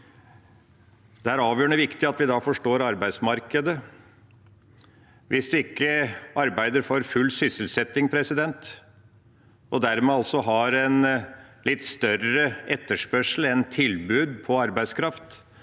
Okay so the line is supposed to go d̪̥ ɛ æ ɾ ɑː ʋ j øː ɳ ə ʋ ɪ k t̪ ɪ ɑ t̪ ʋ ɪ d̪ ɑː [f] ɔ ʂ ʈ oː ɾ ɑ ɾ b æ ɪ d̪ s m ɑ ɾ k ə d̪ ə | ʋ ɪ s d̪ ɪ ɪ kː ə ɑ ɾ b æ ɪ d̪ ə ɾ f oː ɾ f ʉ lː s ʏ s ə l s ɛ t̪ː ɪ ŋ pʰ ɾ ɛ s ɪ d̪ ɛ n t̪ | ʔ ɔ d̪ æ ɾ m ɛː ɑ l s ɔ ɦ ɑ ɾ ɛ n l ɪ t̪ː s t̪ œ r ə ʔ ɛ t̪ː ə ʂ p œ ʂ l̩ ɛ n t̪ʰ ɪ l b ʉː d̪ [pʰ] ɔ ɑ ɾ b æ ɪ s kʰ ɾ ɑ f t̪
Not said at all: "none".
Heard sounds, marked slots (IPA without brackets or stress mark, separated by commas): f, pʰ